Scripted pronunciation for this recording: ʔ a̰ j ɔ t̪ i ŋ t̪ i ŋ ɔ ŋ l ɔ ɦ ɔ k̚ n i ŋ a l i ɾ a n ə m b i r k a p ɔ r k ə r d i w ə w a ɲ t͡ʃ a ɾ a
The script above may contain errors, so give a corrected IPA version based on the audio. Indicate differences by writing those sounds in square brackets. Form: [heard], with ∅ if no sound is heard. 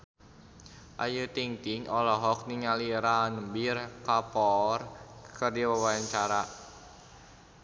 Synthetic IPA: ʔ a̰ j [u] t̪ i ŋ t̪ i ŋ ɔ [∅] l ɔ ɦ ɔ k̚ n i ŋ a l i ɾ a n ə m b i r k a p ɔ r k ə r d i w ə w a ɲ t͡ʃ a ɾ a